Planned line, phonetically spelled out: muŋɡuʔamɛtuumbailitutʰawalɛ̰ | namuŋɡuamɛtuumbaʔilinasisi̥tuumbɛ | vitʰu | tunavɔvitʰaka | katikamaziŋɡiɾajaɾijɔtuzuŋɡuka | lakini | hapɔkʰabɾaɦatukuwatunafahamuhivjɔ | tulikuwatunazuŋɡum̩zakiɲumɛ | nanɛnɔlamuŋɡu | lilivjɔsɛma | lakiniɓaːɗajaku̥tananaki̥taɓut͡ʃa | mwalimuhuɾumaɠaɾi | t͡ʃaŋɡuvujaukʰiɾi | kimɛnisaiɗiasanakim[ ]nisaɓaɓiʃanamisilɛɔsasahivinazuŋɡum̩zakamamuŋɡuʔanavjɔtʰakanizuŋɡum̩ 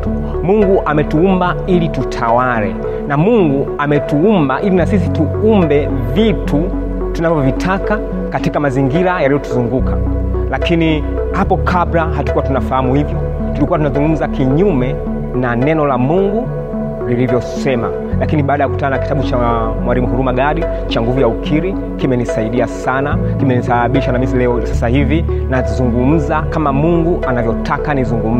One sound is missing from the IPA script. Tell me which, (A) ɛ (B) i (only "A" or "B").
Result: A